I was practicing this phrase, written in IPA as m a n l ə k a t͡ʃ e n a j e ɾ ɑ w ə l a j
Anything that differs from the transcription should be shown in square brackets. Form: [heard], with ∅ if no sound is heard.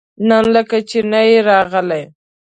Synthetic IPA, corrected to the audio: [n] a n l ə k a t͡ʃ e n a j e ɾ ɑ [ɣ] ə l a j